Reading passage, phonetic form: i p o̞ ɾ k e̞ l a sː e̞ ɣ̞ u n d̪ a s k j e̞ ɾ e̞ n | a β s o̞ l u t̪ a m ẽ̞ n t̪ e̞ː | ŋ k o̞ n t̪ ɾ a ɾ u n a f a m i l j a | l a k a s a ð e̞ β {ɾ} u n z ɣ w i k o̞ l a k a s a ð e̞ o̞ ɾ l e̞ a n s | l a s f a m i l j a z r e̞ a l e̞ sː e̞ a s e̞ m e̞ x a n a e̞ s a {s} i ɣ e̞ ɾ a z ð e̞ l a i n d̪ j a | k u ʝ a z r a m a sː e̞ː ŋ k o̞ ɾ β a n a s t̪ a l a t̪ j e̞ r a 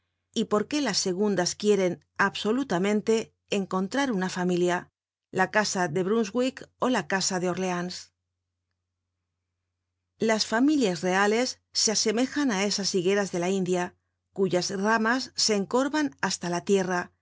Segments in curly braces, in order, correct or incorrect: correct, correct

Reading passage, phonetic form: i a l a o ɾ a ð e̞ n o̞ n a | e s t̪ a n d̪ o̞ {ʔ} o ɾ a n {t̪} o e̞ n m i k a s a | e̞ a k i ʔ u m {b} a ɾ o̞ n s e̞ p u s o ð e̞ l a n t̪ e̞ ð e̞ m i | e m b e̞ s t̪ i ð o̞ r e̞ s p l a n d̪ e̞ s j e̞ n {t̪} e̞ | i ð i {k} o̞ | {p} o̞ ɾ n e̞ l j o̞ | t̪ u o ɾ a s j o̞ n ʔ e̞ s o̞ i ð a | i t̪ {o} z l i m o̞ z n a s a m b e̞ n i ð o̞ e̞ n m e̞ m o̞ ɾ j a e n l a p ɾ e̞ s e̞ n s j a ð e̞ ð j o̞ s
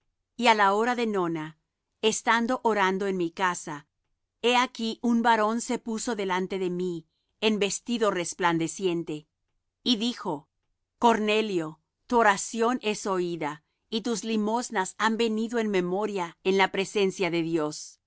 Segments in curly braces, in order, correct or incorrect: correct, incorrect: d̪, correct, correct, incorrect: x, incorrect: k, incorrect: u

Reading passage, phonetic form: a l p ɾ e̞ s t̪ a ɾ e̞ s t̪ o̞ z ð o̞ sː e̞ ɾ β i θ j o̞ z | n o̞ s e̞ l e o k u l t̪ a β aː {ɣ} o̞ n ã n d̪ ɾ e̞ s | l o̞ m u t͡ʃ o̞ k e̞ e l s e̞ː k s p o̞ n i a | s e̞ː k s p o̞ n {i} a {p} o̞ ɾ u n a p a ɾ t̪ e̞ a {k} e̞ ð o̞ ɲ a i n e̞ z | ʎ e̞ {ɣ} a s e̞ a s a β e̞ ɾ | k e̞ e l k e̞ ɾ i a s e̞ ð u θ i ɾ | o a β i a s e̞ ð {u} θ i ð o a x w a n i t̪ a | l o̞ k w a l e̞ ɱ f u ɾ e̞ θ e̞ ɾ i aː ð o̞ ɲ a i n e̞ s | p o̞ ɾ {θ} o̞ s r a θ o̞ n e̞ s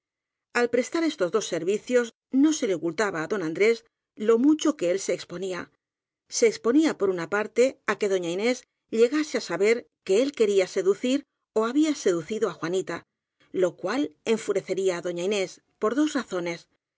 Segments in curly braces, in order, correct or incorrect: incorrect: ð, correct, correct, correct, correct, correct, incorrect: ð

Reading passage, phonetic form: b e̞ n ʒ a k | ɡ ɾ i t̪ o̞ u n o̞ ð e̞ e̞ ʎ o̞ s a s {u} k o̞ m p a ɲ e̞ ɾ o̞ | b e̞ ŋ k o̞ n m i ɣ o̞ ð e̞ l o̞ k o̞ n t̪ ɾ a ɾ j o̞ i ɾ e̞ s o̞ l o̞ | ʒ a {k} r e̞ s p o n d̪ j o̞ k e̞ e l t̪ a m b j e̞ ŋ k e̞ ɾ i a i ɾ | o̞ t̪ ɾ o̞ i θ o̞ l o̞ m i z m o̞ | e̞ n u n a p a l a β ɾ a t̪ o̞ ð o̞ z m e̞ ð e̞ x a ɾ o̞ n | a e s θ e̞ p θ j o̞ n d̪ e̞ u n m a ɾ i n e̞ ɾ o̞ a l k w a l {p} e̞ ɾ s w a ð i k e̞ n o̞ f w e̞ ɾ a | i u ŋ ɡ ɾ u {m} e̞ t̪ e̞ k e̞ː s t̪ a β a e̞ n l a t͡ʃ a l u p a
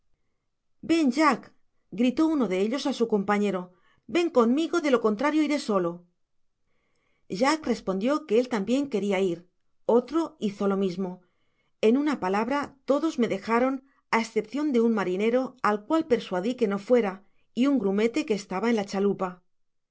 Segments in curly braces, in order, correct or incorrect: correct, correct, correct, correct

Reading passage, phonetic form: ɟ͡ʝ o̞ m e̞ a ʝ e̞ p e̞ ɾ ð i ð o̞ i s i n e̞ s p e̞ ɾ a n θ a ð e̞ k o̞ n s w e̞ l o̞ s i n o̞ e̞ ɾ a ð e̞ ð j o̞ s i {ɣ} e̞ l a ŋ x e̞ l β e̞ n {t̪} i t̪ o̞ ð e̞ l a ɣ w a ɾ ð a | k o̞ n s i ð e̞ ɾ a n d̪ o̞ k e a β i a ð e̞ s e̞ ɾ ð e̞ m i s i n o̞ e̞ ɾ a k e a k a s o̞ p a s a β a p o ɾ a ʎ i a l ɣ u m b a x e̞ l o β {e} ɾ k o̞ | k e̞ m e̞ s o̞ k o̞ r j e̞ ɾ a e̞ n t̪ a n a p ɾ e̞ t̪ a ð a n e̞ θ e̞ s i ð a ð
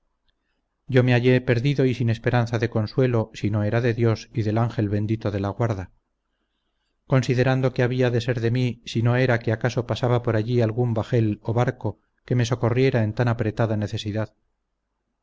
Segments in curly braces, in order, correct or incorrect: incorrect: ð, incorrect: d̪, incorrect: a

